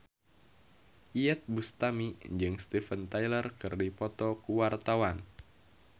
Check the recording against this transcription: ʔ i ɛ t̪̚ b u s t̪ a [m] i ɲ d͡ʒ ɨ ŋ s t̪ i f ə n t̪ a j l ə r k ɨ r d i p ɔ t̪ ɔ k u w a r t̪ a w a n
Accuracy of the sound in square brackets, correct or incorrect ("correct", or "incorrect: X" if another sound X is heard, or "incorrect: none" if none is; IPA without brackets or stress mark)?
correct